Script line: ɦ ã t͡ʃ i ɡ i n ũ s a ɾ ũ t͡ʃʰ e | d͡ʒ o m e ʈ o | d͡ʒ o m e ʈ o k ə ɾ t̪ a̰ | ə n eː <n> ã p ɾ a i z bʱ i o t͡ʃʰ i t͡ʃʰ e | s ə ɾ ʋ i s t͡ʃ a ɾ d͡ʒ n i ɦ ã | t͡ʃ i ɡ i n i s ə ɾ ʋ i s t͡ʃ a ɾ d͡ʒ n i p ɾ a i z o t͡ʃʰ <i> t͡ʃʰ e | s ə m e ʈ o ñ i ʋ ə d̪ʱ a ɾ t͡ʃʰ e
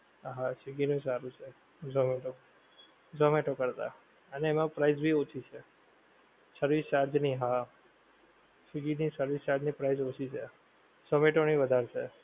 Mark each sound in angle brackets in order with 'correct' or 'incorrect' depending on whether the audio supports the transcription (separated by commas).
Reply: incorrect, correct